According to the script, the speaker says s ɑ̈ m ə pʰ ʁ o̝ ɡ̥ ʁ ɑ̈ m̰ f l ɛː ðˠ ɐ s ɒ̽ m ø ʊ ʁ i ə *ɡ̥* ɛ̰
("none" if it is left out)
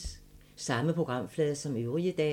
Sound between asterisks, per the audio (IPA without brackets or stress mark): d̥